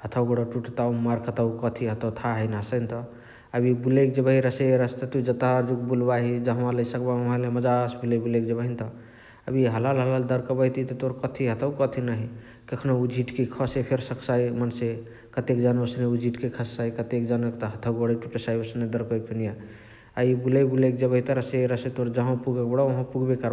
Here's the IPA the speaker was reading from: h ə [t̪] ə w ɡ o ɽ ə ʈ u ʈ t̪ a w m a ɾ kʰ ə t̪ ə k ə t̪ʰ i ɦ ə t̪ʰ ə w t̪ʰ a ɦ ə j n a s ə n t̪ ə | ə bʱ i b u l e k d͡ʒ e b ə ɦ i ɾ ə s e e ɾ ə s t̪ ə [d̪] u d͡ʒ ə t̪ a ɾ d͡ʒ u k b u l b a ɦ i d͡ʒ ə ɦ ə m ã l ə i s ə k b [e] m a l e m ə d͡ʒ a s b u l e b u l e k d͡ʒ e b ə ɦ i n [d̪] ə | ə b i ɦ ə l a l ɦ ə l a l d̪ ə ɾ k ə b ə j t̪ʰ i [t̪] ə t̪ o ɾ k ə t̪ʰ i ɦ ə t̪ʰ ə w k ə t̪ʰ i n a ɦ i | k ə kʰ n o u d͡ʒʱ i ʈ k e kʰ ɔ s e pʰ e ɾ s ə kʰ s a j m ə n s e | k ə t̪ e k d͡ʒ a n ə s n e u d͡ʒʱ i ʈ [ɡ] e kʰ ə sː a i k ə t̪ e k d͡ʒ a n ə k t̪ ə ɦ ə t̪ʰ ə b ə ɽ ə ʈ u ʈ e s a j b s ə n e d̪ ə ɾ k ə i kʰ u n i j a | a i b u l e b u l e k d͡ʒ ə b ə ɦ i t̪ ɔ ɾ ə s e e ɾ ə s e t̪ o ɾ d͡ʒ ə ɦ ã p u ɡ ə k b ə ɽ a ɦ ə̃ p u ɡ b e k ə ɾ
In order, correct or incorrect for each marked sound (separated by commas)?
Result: incorrect, incorrect, incorrect, incorrect, correct, incorrect